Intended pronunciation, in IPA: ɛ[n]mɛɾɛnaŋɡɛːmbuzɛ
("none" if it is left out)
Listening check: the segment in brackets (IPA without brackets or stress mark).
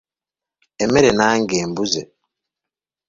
none